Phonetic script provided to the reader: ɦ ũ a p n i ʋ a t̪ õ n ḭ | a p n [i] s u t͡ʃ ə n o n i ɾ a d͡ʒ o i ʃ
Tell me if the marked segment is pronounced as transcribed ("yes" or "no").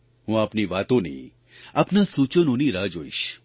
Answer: no